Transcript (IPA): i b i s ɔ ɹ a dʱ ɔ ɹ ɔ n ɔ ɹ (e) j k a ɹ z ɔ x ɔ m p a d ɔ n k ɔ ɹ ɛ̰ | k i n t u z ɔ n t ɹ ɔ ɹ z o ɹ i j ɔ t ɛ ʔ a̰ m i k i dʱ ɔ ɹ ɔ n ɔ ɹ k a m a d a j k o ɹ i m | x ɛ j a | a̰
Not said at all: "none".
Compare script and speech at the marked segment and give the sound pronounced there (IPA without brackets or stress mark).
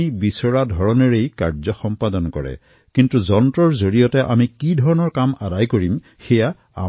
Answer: e